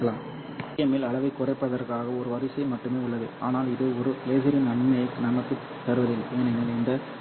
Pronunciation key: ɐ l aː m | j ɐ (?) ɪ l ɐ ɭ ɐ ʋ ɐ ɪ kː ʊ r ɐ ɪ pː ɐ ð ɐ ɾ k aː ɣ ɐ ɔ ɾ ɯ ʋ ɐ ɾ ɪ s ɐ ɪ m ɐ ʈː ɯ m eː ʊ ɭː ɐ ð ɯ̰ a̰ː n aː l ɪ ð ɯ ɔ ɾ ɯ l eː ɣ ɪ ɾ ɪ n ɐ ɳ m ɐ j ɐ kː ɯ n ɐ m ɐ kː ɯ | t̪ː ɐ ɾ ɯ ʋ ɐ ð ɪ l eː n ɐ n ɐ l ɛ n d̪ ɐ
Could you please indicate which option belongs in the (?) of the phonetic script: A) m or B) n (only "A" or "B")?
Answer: A